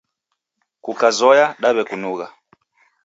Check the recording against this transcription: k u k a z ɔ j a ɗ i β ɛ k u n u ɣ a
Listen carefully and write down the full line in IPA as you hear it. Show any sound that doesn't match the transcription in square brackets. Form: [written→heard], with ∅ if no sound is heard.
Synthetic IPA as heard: k u k a z ɔ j a ɗ [i→a] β ɛ k u n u ɣ a